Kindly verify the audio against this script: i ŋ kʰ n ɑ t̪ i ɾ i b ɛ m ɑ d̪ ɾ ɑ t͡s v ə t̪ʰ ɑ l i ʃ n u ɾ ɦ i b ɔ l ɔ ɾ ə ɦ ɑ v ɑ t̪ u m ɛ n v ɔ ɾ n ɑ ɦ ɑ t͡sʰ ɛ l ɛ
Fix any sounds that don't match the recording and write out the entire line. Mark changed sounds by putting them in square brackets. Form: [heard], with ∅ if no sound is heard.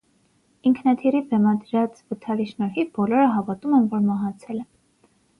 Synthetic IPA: i ŋ kʰ n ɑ [t̪ʰ] i ɾ i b ɛ m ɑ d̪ ɾ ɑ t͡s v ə t̪ʰ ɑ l i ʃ n [ɔ] ɾ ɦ i b ɔ l ɔ ɾ ə ɦ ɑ v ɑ t̪ u m ɛ n v ɔ ɾ [m] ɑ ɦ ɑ t͡sʰ ɛ l ɛ